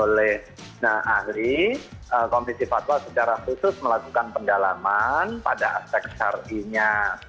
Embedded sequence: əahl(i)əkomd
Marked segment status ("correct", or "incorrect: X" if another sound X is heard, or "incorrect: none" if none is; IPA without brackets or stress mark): correct